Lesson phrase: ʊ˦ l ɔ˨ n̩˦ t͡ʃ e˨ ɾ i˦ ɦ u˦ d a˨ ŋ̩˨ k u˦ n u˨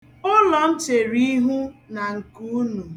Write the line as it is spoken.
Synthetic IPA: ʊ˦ l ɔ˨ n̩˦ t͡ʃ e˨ ɾ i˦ ɦ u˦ n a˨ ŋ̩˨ k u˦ n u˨